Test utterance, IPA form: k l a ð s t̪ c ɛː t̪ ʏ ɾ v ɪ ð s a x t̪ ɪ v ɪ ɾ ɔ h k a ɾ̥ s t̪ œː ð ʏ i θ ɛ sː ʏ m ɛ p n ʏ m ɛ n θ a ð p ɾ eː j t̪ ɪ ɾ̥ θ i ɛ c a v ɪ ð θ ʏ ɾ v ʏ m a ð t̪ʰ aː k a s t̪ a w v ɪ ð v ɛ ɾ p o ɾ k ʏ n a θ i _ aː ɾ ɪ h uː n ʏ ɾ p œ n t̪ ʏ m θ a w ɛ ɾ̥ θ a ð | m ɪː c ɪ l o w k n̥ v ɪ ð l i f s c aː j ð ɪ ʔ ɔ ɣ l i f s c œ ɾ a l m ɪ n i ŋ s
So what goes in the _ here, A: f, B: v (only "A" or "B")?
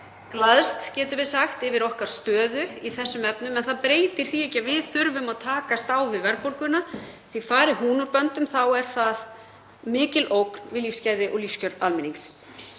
A